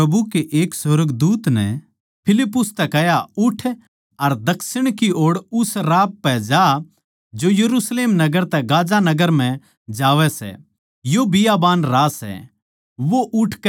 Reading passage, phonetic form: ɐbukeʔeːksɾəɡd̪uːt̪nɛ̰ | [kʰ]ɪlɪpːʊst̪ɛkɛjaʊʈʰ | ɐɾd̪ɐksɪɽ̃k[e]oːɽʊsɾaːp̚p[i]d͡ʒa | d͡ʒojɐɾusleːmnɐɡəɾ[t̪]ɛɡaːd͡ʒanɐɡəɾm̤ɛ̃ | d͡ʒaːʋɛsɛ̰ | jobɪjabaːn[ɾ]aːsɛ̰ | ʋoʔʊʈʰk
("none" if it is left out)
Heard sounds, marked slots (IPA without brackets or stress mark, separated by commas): pʰ, i, ɛ, t̪, ɾ